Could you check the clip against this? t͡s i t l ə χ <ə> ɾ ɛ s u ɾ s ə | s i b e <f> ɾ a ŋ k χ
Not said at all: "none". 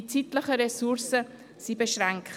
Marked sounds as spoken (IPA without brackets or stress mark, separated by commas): ə, ʃ